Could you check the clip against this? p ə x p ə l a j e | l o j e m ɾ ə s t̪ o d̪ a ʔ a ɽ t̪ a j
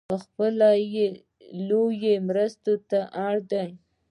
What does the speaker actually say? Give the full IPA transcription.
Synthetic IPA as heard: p ə x p ə l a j e | l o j e m ɾ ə s t̪ o t̪ a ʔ a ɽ d̪ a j